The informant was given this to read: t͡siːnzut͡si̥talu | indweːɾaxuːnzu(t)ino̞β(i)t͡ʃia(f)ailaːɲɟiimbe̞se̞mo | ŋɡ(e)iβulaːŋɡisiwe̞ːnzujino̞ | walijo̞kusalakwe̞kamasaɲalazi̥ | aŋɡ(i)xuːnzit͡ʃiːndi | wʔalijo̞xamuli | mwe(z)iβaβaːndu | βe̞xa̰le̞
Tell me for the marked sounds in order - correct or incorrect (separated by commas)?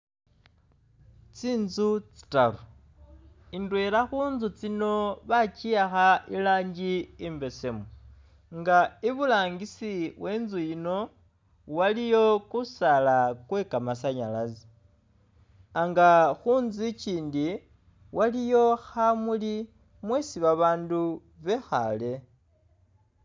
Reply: incorrect, incorrect, incorrect, incorrect, incorrect, incorrect